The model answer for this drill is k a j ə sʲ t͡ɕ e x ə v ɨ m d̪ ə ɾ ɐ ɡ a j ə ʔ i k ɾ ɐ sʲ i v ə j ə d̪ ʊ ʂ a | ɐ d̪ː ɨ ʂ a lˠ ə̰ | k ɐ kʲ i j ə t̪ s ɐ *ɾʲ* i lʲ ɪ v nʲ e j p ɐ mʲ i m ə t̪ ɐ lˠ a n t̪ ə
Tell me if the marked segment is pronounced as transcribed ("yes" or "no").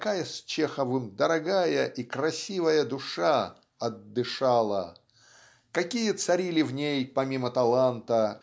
yes